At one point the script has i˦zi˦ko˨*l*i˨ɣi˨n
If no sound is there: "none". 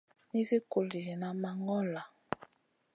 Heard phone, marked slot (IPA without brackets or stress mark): l